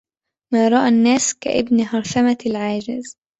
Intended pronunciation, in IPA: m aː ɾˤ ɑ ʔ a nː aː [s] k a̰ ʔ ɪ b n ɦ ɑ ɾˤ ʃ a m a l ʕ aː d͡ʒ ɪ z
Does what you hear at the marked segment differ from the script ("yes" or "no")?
no